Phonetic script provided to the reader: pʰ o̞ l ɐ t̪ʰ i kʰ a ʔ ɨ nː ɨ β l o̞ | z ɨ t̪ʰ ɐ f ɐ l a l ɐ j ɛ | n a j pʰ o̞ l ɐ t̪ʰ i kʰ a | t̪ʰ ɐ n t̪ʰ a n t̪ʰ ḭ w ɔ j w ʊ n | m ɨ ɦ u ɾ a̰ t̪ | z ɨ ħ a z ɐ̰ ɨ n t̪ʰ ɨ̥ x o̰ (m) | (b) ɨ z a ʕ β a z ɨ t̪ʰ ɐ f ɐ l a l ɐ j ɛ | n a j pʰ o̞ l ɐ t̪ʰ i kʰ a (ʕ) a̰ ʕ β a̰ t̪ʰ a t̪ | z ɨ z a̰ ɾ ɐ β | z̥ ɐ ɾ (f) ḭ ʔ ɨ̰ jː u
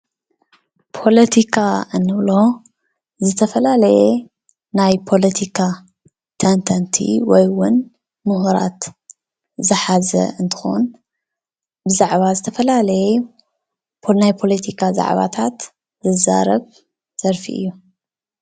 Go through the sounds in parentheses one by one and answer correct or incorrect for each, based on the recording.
incorrect, correct, incorrect, correct

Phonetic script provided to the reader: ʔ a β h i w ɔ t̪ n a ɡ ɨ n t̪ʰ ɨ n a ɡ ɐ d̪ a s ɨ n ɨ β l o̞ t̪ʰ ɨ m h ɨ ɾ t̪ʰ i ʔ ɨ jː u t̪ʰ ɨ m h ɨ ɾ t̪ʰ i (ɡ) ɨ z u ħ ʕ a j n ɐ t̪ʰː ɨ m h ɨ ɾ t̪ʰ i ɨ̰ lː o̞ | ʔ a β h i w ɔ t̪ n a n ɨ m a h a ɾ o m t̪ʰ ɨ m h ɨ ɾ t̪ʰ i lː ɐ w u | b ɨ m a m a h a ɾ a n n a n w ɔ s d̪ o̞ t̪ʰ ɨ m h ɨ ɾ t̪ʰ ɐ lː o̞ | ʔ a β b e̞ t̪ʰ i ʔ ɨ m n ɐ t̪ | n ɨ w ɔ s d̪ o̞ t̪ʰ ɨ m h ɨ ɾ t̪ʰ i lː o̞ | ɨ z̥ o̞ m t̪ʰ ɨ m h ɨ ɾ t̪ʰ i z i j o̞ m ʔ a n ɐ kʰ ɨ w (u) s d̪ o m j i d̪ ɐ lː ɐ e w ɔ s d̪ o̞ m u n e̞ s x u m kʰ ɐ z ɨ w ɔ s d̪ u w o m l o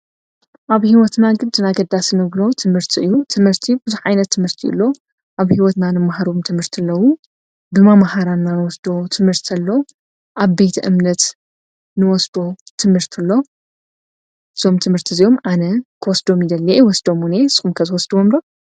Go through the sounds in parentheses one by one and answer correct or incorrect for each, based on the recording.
incorrect, incorrect

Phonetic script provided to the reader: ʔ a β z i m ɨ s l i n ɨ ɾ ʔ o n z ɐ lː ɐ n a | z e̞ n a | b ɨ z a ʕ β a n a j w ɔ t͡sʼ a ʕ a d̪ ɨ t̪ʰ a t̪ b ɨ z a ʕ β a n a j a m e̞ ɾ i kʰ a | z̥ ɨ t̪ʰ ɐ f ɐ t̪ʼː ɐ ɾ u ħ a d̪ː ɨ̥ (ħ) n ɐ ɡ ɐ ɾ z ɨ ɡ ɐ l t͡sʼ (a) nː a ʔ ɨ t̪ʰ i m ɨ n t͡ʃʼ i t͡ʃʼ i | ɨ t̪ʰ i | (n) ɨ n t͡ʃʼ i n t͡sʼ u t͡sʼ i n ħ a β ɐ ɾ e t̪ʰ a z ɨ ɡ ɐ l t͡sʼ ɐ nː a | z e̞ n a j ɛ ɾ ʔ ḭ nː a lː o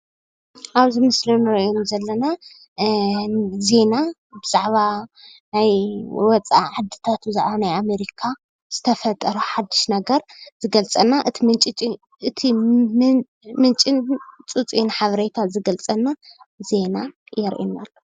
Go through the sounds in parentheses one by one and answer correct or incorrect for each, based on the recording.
incorrect, incorrect, incorrect

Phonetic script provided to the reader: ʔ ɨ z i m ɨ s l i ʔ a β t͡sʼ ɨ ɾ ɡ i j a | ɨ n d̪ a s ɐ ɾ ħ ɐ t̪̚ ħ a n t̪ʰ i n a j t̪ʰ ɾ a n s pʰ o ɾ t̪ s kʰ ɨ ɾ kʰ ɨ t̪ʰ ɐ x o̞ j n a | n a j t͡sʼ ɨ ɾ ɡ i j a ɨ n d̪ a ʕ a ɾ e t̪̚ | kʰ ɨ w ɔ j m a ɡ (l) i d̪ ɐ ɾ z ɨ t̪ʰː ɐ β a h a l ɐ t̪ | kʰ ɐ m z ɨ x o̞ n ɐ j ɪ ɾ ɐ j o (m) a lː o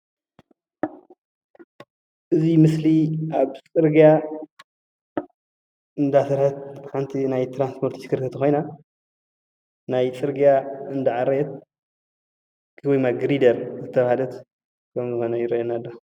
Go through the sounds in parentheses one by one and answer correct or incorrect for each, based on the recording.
incorrect, incorrect

